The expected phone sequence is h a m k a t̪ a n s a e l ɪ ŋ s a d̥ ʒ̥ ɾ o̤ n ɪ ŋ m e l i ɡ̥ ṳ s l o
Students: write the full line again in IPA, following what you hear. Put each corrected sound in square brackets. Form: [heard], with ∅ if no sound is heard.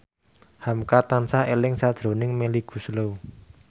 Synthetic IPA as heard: h a m k a t̪ a n s a e l ɪ ŋ s a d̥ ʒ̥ ɾ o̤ n ɪ ŋ m e l i ɡ̥ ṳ s l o